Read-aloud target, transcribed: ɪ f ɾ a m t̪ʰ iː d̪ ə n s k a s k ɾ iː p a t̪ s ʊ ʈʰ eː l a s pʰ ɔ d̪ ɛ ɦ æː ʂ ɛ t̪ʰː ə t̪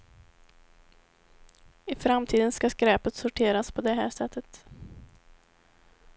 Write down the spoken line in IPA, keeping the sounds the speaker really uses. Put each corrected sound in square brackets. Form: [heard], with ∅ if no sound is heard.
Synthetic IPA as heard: ɪ f ɾ a m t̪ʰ iː d̪ ə n s k a s k ɾ [ɛː] p [ə] t̪ s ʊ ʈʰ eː [ɾ] a s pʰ ɔ d̪ ɛ ɦ æː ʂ ɛ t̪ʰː ə t̪